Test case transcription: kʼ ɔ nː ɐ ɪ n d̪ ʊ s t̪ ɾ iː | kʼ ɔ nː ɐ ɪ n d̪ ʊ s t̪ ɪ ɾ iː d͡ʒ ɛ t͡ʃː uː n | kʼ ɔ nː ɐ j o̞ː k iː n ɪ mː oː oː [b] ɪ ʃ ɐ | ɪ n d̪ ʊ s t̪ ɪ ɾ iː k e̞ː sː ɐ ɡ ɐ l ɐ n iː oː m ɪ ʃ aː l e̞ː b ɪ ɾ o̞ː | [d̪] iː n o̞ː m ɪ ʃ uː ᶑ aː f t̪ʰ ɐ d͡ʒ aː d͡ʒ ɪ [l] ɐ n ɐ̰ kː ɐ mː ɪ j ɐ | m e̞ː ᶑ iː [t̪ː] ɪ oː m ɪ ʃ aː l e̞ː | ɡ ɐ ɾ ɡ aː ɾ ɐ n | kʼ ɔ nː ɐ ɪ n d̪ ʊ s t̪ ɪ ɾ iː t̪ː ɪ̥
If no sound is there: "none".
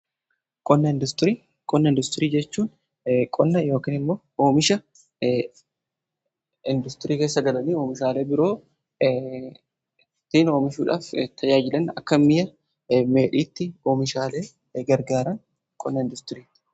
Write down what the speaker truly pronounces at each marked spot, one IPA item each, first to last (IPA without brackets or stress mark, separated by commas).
m, t̪, l, t̪ː